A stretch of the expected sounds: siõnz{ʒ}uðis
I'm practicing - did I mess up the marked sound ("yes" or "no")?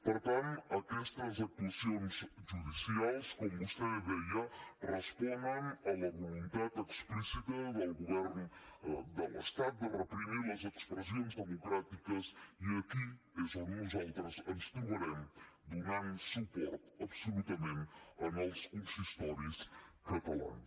no